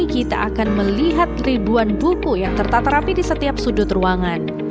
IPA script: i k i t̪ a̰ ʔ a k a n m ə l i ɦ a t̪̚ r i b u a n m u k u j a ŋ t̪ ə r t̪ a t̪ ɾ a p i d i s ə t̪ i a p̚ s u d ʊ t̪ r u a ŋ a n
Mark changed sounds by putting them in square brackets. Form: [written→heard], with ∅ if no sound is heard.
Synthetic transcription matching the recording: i k i t̪ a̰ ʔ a k a n m ə l i ɦ a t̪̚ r i b u a n [m→b] u k u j a ŋ t̪ ə r t̪ a t̪ ɾ a p i d i s ə t̪ i a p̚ s u d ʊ t̪ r u a ŋ a n

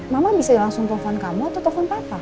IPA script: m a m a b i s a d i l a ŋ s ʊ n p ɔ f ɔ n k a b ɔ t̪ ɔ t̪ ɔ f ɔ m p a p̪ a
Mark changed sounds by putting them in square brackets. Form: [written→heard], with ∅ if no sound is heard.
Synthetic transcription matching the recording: m a m a b i s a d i l a ŋ s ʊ [n→ŋ] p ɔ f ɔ n k a [b→m] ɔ t̪ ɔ t̪ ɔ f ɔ [m→n] p a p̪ a

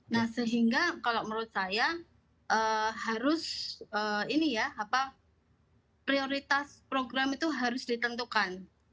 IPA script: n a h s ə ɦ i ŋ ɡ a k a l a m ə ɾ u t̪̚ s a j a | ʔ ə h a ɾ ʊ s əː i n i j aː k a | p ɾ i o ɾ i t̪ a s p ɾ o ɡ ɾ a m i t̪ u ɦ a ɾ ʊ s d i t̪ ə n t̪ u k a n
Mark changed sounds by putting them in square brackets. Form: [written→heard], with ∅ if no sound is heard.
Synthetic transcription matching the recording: n a h s ə ɦ i ŋ ɡ a k a l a m ə ɾ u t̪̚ s a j a | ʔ ə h a ɾ ʊ s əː i n i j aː [k→p] a | p ɾ i o ɾ i t̪ a s p ɾ o ɡ ɾ a m i t̪ u ɦ a ɾ ʊ s d i t̪ ə n t̪ u k a n

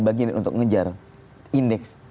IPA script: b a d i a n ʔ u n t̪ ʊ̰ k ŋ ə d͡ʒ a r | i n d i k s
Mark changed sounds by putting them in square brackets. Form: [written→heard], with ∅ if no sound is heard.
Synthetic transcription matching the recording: b a [d→ɡ] i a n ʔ u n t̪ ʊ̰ k ŋ ə d͡ʒ a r | i n d [i→ɛ] k s

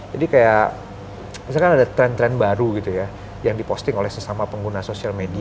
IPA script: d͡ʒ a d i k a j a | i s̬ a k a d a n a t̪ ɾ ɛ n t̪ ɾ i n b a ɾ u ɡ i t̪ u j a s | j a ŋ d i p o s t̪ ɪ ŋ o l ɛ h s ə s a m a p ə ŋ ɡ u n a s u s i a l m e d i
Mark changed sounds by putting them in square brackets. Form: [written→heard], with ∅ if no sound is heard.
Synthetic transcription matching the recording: d͡ʒ a d i k a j a | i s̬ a k a [d→n] a [n→d] a t̪ ɾ ɛ n t̪ ɾ [i→ɛ] n b a ɾ u ɡ i t̪ u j a [s→∅] | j a ŋ d i p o s t̪ ɪ ŋ o l ɛ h s ə s a m a p ə ŋ ɡ u n a s [u→o] s i a l m e d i

